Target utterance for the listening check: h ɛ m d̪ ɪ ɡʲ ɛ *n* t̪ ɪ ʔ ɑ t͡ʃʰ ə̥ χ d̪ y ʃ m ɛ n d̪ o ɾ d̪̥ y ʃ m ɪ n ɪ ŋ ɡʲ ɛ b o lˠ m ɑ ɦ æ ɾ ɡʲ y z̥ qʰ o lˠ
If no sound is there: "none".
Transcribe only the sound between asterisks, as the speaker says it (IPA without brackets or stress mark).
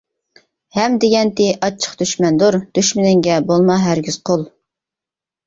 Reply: n